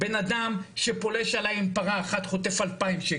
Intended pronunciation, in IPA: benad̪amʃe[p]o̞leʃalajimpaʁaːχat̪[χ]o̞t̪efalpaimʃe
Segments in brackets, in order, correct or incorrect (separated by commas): correct, correct